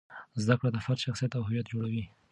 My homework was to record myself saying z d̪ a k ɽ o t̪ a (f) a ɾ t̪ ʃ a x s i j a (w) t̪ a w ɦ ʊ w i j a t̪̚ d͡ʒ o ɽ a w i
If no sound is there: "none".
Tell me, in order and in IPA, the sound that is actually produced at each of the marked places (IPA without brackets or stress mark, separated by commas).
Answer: f, none